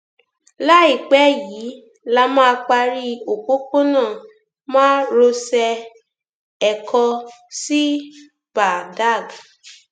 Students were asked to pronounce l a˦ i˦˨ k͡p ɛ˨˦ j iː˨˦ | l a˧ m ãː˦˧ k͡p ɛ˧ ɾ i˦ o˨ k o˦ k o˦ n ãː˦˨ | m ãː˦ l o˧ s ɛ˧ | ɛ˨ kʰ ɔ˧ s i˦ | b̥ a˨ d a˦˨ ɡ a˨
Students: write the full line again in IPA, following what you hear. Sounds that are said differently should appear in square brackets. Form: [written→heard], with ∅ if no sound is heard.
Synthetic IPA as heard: l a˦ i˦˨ k͡p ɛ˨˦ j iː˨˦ | l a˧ m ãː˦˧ k͡p [ɛ˧→a˧] ɾ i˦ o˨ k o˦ k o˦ n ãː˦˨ | m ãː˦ [l→ɾ] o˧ s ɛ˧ | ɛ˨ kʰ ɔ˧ s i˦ | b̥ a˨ d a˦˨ ɡ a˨

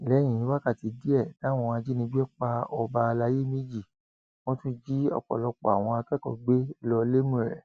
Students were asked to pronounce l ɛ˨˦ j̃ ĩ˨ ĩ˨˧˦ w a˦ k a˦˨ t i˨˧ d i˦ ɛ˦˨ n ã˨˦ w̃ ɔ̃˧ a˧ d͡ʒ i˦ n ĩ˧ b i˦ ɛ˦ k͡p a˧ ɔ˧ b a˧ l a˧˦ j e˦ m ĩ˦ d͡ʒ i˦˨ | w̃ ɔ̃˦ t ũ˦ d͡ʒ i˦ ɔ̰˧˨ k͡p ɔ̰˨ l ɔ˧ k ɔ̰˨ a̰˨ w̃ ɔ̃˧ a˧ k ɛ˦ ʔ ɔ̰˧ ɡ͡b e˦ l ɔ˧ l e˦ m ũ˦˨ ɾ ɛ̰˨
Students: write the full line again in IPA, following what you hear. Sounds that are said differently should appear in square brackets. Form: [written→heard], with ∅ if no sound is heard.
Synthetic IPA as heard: l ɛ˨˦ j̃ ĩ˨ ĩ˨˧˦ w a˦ k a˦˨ t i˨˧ d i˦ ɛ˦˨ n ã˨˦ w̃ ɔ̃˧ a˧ d͡ʒ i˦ n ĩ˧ b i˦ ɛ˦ k͡p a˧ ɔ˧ b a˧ l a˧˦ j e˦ m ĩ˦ d͡ʒ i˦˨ | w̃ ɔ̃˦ t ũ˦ d͡ʒ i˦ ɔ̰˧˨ k͡p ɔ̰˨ l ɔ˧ [k→k͡p] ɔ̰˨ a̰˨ w̃ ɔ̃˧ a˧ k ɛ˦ [ʔ→k] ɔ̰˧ ɡ͡b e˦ l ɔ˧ l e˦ m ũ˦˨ ɾ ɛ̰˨

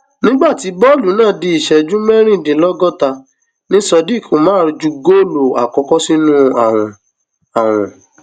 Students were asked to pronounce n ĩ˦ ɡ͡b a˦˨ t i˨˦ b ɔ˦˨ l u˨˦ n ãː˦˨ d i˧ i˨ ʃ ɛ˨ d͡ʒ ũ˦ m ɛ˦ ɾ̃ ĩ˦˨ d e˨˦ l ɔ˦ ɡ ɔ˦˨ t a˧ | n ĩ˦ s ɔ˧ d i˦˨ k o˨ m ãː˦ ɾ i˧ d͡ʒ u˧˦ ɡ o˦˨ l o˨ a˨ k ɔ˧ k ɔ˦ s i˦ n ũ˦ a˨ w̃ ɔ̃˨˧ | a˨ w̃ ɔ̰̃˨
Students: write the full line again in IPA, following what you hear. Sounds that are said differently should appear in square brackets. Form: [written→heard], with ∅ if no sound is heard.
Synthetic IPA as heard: n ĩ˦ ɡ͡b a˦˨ t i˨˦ b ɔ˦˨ l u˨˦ n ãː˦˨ d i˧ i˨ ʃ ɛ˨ d͡ʒ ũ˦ m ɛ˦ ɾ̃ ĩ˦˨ d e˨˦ l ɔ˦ ɡ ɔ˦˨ t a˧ | n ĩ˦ s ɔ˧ d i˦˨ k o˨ m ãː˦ ɾ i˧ d͡ʒ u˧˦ ɡ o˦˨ l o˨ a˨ k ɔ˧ k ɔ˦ s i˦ n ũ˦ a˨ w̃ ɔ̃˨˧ | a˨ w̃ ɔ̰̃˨

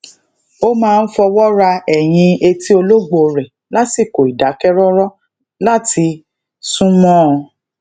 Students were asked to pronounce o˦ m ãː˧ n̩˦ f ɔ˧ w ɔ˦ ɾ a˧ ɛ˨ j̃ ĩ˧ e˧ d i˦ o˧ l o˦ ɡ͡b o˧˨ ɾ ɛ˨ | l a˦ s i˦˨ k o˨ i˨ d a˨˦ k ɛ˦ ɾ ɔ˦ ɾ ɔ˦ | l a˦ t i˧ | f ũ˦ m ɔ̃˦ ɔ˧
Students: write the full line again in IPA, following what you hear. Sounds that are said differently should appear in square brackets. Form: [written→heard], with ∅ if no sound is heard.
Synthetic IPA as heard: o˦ m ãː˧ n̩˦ f ɔ˧ w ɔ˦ ɾ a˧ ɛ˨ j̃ ĩ˧ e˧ [d→t] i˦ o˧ l o˦ ɡ͡b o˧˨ ɾ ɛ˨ | l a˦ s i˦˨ k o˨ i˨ d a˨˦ k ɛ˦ ɾ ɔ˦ ɾ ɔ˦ | l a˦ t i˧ | [f→s] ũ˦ m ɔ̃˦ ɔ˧

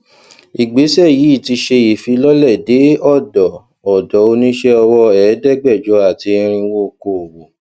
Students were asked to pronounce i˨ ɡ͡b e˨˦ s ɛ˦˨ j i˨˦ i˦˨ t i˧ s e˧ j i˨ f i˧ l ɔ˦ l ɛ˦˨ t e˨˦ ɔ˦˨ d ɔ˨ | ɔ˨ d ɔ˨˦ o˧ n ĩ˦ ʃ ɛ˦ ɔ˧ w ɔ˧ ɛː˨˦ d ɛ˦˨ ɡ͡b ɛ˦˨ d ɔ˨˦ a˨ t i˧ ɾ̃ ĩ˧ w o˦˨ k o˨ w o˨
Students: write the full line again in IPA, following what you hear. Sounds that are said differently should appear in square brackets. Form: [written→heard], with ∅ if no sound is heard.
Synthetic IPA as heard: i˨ ɡ͡b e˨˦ s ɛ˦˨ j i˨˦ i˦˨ t i˧ [s→ʃ] e˧ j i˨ f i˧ l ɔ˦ l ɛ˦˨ [t→d] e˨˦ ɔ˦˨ d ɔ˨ | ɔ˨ d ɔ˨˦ o˧ n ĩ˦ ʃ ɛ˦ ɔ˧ w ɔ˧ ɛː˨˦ d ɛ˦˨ ɡ͡b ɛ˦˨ [d→d͡ʒ] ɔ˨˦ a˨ t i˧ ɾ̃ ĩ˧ w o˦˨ k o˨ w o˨

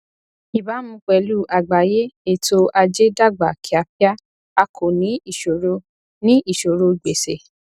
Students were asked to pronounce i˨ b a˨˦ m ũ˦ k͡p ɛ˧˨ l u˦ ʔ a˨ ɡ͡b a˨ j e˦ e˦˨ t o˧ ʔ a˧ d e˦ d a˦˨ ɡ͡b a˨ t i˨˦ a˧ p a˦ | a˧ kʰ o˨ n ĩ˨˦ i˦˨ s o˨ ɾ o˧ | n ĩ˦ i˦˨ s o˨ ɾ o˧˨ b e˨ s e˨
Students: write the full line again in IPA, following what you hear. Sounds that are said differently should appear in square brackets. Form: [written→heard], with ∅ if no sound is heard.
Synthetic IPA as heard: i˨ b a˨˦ m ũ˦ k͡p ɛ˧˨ l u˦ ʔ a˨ ɡ͡b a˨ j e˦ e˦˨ t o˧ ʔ a˧ [d→d͡ʒ] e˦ d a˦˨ ɡ͡b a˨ [t→k] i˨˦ a˧ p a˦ | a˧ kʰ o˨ n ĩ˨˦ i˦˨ [s→ʃ] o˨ ɾ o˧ | n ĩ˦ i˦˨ [s→ʃ] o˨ ɾ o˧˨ [b→ɡ͡b] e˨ s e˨

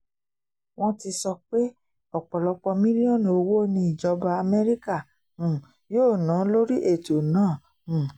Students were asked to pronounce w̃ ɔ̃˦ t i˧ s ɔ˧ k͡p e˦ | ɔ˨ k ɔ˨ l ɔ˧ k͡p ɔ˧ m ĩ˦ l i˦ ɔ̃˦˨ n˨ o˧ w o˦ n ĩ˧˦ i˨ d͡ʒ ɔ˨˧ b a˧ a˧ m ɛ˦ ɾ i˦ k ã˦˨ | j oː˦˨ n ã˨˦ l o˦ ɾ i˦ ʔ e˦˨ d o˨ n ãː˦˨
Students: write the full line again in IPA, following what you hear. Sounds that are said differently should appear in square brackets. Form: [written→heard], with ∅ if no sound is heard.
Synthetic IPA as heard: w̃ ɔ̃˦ t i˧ s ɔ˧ k͡p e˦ | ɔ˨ [k→k͡p] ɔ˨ l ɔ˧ k͡p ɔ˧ m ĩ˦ l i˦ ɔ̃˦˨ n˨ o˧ w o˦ n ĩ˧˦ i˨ d͡ʒ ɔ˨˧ b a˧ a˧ m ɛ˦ ɾ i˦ k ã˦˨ | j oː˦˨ n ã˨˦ l o˦ ɾ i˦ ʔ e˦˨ [d→t] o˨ n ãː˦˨

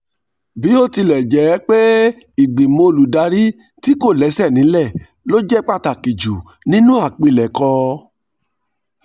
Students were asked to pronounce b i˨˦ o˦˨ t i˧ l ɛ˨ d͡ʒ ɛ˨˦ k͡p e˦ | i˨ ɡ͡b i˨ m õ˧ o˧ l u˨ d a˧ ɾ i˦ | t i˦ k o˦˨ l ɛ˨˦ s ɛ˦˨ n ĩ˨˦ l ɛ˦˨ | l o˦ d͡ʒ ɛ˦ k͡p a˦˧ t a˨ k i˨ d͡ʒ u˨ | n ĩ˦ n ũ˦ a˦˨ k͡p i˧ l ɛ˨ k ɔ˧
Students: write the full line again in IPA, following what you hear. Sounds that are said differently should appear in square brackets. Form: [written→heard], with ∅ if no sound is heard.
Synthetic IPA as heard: b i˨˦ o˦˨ t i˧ l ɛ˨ d͡ʒ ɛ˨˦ k͡p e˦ | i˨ ɡ͡b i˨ m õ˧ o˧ l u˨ d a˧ ɾ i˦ | t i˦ k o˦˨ l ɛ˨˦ s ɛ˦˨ n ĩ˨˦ l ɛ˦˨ | l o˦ d͡ʒ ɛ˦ k͡p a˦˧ t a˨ k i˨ d͡ʒ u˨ | n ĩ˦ n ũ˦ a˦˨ k͡p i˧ l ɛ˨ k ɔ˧

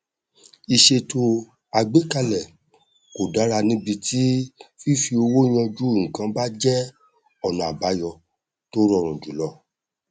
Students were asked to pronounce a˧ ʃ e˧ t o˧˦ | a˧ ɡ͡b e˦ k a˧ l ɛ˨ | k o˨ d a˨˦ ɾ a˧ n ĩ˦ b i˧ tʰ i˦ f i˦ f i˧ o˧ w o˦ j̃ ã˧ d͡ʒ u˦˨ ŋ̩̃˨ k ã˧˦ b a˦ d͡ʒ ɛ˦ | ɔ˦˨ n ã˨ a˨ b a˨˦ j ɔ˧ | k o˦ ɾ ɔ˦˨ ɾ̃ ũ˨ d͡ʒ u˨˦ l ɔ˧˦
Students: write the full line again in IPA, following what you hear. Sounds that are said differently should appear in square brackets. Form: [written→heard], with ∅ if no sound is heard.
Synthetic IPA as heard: [a˧→i˧] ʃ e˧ t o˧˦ | a˧ ɡ͡b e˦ k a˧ l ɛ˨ | k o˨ d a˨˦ ɾ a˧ n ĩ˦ b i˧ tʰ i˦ f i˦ f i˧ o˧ w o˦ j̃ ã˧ d͡ʒ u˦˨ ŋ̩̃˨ k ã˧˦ b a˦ d͡ʒ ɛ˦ | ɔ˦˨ n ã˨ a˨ b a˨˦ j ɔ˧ | [k→t] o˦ ɾ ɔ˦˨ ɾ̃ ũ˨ d͡ʒ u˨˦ l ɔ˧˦

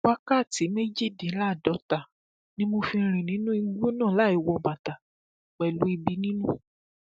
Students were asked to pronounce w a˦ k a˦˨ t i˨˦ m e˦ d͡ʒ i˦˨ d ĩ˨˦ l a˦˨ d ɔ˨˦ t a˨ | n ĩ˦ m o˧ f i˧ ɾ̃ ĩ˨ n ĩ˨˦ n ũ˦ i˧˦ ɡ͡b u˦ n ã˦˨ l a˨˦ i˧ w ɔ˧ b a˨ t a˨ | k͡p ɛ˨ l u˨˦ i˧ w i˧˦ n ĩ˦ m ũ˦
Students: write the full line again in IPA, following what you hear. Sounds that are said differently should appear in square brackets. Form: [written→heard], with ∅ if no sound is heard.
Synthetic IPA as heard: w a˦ k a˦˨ t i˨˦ m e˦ d͡ʒ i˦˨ d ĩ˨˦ l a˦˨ d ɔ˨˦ t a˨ | n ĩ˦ m o˧ f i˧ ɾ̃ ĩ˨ n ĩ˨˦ n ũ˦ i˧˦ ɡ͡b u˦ n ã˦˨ l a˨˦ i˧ w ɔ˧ b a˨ t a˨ | k͡p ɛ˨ l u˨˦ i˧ [w→b] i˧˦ n ĩ˦ [m→n] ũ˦

